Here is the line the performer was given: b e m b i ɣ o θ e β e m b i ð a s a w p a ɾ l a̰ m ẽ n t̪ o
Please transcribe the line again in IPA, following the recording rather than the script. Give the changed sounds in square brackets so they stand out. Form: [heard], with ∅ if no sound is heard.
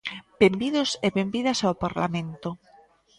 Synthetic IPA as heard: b e m b i [ð] o [s] e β e m b i ð a s a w p a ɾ l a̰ m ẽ n t̪ o